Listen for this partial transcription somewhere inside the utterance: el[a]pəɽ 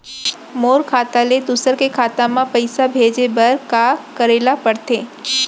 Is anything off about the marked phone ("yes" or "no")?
no